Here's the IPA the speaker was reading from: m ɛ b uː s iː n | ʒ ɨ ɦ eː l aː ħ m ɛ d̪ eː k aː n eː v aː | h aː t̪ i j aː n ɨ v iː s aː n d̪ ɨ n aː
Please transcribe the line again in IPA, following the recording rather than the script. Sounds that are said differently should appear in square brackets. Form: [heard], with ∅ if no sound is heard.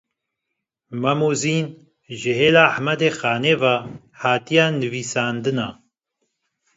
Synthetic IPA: m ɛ [m] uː [z] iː n | ʒ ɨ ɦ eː l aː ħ m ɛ d̪ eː [x] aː n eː v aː | h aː t̪ i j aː n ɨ v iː s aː n d̪ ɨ n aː